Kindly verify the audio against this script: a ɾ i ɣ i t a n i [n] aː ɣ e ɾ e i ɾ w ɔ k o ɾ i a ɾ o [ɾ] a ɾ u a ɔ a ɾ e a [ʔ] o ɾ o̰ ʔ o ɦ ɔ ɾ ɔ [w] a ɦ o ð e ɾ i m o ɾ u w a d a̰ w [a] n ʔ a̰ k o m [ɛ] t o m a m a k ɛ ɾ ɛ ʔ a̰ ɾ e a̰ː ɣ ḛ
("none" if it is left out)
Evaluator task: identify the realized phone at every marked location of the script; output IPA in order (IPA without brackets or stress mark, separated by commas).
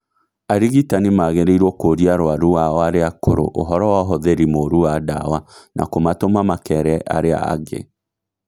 m, none, k, w, a, a